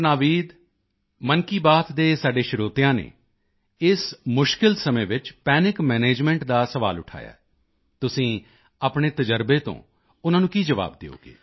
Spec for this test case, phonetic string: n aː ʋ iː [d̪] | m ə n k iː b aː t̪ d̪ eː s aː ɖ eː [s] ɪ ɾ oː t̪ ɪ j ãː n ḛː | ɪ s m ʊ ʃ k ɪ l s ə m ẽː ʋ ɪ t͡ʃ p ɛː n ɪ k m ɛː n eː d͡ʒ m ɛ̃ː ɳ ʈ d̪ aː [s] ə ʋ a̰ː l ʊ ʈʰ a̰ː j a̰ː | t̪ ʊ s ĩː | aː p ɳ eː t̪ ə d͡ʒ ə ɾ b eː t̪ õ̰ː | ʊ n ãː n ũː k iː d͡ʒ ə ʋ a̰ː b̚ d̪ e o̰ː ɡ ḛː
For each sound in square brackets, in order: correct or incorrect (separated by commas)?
correct, incorrect, correct